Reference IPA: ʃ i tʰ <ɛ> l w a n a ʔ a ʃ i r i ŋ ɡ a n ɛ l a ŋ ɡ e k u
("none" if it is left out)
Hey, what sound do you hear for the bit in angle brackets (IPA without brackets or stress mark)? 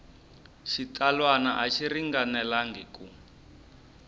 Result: a